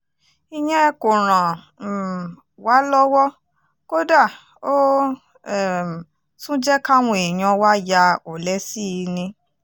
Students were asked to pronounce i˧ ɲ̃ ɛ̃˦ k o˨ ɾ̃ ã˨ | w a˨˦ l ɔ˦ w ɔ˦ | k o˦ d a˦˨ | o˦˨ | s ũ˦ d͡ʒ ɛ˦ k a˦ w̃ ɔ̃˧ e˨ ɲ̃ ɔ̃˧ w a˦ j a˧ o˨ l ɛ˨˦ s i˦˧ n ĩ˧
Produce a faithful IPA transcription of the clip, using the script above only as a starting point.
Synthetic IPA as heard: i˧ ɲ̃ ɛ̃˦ k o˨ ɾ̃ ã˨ | w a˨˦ l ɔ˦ w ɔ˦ | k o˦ d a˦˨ | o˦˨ | s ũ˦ d͡ʒ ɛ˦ k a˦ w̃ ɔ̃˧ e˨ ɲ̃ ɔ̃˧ w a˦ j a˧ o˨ l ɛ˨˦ s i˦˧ n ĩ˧